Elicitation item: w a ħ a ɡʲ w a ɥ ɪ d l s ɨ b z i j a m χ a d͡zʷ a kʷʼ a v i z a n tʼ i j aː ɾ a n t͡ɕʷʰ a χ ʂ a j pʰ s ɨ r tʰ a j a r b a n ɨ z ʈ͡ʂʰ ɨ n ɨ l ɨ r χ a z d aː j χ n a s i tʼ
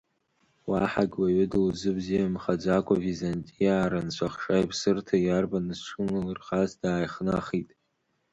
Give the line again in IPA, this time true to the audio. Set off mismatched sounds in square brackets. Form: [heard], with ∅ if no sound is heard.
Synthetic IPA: w a ħ a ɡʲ w a ɥ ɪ d l [z] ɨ b z i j a m χ a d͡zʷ a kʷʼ a v i z a n tʼ i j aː ɾ a n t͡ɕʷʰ a χ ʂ a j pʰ s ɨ r tʰ a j a r b a n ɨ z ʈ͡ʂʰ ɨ n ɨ l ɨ r χ a z d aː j χ n a [χ] i tʼ